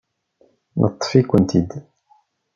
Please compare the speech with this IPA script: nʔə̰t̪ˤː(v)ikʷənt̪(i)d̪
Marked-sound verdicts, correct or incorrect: incorrect, correct

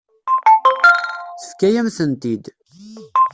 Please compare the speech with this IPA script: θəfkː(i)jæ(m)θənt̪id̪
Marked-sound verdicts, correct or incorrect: incorrect, correct

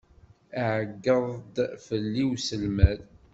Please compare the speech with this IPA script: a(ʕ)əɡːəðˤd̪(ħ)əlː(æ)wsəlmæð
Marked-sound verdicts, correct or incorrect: correct, incorrect, incorrect

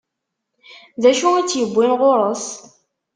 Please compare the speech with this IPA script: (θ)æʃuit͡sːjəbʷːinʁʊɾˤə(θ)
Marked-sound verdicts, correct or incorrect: incorrect, incorrect

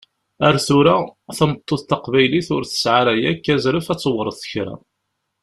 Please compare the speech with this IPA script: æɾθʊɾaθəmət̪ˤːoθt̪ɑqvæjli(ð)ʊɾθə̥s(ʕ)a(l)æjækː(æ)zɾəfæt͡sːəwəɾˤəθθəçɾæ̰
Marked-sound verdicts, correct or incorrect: incorrect, correct, incorrect, correct

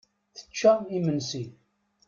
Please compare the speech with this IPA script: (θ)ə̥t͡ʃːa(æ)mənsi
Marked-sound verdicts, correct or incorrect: correct, incorrect

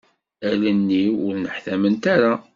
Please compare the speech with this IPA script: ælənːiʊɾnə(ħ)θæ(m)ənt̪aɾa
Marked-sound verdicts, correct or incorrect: correct, correct

